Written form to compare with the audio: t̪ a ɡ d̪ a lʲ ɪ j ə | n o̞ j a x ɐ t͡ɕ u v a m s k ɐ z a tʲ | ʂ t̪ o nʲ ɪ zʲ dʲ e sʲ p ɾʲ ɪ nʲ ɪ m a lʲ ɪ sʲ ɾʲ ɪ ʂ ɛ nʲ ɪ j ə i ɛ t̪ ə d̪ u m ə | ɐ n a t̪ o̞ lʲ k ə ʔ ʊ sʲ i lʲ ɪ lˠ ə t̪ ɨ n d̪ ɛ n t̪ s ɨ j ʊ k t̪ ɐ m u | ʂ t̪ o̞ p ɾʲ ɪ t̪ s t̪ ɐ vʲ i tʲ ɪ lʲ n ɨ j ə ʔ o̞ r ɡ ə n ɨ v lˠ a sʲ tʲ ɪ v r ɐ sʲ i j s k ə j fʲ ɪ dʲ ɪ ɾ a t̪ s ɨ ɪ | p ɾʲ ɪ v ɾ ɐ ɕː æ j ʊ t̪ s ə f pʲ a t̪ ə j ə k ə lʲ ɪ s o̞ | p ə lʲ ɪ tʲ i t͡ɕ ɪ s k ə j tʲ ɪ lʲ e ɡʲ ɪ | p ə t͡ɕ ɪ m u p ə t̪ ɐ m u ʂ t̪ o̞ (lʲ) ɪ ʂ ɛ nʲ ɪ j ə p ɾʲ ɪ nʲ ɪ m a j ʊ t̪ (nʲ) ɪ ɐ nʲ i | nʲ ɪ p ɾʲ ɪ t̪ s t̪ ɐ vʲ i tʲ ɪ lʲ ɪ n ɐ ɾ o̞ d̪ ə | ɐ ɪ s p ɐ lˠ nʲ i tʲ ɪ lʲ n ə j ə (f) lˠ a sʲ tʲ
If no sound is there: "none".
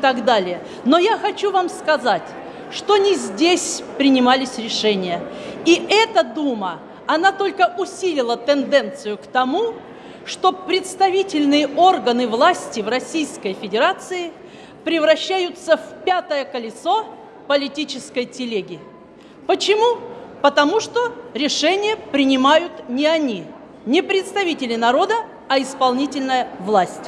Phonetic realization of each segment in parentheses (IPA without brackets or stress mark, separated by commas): ɾʲ, nʲ, v